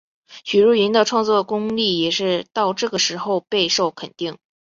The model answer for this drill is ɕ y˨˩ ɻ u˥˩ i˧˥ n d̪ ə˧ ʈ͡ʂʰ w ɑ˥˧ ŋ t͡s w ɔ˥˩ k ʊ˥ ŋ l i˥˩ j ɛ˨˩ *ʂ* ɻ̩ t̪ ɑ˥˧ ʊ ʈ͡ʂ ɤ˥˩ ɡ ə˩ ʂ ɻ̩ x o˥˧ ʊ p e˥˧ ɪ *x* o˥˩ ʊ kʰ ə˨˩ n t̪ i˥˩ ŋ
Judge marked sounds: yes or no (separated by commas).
yes, no